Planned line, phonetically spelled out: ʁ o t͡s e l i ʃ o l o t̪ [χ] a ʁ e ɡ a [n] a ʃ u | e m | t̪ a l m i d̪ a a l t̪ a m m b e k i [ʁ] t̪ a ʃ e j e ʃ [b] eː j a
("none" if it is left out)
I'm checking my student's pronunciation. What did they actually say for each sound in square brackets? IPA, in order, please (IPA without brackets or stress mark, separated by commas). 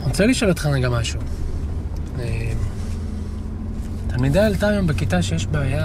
χ, m, none, b